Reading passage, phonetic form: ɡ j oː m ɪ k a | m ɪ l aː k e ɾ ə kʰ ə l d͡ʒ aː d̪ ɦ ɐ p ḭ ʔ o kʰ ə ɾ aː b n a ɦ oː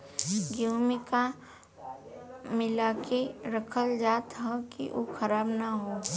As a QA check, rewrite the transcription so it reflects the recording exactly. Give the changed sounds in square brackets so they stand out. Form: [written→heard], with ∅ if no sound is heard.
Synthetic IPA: ɡ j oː m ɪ k a | m ɪ l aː k e ɾ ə kʰ ə l d͡ʒ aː [d̪→t̪] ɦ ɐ [p→k] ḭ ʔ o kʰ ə ɾ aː b n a ɦ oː